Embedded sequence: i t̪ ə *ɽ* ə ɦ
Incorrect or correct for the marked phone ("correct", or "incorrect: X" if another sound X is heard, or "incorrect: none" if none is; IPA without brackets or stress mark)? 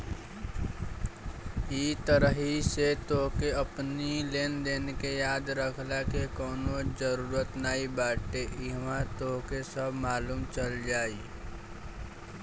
incorrect: ɾ